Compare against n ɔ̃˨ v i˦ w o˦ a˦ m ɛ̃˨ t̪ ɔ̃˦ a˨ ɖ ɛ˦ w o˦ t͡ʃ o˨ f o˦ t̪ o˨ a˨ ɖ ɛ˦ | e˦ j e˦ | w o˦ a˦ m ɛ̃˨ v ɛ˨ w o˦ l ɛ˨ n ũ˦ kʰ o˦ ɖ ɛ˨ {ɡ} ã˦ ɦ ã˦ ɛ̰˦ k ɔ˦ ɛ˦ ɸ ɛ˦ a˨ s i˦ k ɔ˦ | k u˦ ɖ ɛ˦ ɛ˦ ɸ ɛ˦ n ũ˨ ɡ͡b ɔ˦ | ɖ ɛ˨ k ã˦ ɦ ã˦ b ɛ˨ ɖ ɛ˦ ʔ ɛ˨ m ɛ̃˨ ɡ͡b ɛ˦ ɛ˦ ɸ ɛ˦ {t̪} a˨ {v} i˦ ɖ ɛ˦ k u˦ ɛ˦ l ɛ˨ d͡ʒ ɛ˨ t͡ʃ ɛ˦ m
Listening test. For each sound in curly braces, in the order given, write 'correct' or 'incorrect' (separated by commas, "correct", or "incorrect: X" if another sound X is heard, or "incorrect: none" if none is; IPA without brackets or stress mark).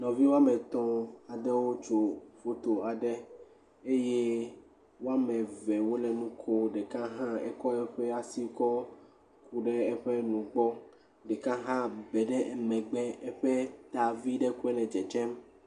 incorrect: k, correct, correct